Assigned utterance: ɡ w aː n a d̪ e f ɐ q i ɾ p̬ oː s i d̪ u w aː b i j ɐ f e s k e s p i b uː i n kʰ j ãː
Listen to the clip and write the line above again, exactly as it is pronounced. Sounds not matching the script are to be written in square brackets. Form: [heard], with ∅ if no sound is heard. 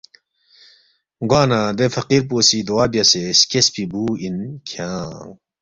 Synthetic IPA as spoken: ɡ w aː n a d̪ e f ɐ q i ɾ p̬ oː s i d̪ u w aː b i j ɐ [s] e s k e s p i b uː i n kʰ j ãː